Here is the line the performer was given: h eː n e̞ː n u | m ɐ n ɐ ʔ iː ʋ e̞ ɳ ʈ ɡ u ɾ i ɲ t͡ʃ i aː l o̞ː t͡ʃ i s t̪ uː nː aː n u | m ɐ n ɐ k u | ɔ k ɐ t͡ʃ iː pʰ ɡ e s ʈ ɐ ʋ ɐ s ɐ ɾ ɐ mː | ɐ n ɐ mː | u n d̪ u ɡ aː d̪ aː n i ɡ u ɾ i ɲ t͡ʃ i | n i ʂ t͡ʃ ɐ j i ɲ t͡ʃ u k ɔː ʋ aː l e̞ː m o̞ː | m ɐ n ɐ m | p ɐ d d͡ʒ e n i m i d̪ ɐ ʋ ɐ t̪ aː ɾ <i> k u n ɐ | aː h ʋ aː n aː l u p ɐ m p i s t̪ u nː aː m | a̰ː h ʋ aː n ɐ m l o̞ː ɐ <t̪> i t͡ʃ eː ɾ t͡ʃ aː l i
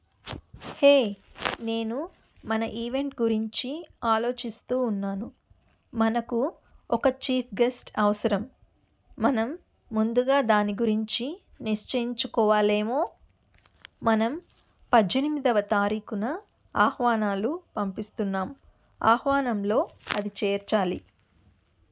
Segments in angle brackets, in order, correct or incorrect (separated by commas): incorrect, incorrect